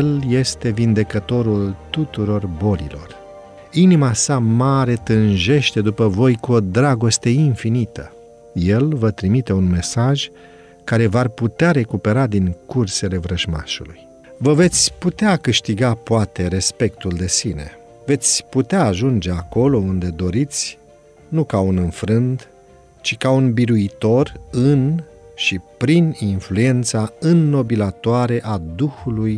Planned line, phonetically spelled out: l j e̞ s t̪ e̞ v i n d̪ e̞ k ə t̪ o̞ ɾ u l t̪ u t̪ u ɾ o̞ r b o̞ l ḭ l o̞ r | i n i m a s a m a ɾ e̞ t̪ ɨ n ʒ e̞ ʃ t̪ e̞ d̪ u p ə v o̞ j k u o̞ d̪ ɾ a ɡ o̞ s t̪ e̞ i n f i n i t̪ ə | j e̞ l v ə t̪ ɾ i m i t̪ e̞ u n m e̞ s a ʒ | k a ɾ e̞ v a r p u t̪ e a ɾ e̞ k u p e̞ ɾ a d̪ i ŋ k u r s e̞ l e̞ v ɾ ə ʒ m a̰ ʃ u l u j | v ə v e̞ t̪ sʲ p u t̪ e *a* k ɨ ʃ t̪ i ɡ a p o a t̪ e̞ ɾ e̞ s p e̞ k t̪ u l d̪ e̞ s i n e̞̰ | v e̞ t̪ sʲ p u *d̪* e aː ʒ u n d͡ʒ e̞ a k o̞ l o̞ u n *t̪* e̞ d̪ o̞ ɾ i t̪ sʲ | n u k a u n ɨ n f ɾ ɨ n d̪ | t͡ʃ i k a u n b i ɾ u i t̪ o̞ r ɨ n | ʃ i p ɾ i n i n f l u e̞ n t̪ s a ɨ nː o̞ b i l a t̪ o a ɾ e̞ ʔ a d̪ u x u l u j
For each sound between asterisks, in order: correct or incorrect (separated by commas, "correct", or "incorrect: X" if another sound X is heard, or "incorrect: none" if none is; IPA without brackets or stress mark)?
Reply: correct, incorrect: t̪, incorrect: d̪